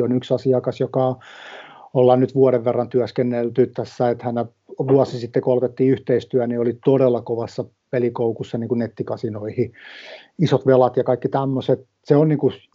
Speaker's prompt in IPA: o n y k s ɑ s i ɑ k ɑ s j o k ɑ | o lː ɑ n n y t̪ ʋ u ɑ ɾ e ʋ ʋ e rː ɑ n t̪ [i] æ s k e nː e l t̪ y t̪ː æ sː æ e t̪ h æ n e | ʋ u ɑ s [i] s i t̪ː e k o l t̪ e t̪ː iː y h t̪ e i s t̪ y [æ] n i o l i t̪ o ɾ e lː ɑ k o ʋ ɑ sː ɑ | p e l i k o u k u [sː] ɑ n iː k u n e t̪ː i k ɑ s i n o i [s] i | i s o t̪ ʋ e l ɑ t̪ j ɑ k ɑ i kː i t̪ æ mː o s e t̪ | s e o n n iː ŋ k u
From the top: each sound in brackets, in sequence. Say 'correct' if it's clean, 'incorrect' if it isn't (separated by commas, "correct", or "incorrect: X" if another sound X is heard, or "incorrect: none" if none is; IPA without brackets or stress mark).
incorrect: y, correct, correct, correct, incorrect: h